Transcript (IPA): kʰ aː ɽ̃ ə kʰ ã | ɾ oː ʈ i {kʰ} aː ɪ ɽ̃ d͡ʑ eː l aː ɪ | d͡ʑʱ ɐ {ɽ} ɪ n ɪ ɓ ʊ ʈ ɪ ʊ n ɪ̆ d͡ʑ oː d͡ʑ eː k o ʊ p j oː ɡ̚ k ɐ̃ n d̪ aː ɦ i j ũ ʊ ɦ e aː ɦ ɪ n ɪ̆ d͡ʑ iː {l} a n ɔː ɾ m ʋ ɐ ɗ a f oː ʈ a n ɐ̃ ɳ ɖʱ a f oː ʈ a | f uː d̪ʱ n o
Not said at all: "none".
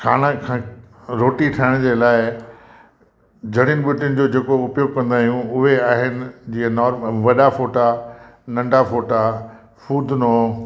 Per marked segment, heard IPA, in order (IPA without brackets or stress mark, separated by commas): ʈʰ, ɽ, none